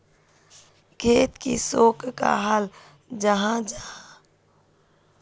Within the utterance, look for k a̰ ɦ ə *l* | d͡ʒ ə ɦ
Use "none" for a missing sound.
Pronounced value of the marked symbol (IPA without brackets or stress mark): l